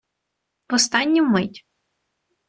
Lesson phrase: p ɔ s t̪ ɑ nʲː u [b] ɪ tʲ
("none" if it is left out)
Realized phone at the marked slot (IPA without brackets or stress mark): m